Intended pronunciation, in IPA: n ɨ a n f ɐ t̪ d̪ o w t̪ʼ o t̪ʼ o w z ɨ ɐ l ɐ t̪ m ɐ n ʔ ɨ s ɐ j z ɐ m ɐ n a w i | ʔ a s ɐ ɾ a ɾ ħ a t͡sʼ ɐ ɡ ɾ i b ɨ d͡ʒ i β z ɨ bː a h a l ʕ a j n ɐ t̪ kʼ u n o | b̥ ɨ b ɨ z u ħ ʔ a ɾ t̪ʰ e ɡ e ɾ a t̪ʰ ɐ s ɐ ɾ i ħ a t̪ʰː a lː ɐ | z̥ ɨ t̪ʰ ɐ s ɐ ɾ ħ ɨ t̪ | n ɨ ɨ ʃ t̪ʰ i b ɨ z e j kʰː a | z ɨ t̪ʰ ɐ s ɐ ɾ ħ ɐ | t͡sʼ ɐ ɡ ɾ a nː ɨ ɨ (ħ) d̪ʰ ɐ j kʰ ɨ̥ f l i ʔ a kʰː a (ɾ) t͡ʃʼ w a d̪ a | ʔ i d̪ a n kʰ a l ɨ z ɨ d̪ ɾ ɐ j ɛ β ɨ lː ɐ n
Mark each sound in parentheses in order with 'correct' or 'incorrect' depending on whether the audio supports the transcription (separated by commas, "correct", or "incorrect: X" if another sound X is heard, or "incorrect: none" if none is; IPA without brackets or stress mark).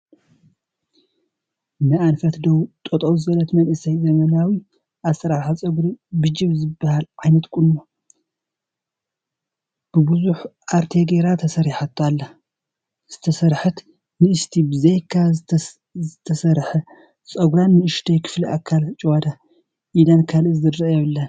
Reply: incorrect: ʃ, incorrect: l